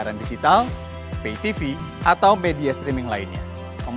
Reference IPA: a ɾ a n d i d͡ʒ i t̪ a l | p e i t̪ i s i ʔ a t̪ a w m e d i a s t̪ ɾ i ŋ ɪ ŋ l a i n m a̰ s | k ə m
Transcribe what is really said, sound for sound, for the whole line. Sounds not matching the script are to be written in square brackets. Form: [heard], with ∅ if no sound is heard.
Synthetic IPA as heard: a ɾ a n d i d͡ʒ i t̪ a l | p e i t̪ i [f] i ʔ a t̪ a w m e d i a s t̪ ɾ i [m] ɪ ŋ l a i n [ɲ] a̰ [∅] | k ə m